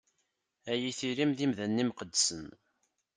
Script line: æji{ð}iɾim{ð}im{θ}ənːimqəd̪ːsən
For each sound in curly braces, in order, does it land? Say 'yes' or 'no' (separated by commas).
no, yes, no